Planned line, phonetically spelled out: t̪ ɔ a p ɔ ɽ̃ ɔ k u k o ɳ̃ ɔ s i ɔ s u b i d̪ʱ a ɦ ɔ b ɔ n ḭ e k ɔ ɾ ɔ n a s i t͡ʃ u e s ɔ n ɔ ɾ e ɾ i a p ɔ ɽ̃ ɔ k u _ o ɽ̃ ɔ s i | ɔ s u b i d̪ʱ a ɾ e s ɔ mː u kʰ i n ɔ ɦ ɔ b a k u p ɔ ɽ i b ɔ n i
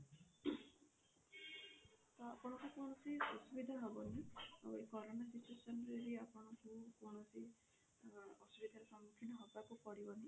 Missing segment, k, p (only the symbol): k